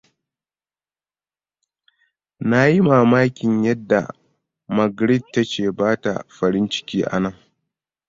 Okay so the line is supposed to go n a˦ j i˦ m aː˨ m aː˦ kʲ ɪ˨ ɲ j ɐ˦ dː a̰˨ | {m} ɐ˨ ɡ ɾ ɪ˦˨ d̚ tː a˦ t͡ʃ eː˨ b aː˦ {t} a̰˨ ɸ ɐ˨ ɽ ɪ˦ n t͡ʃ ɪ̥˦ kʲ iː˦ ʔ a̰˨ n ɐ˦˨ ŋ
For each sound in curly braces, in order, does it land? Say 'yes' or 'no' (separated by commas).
yes, yes